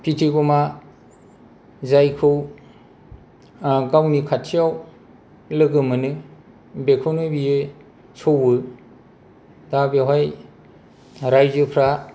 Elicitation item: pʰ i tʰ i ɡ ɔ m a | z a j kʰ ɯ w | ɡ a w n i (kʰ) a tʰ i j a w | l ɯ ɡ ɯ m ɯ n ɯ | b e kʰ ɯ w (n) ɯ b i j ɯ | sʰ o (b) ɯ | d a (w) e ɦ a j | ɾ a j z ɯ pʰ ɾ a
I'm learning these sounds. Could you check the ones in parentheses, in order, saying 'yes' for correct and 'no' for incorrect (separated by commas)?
yes, yes, no, no